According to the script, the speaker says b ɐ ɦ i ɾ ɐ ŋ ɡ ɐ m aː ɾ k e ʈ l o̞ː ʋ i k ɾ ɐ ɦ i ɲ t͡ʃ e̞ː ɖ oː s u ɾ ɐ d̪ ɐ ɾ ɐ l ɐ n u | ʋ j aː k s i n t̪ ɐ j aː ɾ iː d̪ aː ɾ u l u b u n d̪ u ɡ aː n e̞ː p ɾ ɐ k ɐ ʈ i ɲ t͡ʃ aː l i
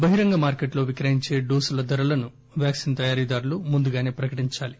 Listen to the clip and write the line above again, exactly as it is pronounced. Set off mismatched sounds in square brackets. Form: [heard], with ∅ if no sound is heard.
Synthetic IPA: b ɐ ɦ i ɾ ɐ ŋ ɡ ɐ m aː ɾ k e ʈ l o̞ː ʋ i k ɾ ɐ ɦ i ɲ t͡ʃ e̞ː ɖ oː s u [l] ɐ d̪ ɐ ɾ ɐ l ɐ n u | ʋ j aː k s i n t̪ ɐ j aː ɾ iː d̪ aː ɾ u l u [m] u n d̪ u ɡ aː n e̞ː p ɾ ɐ k ɐ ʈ i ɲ t͡ʃ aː l i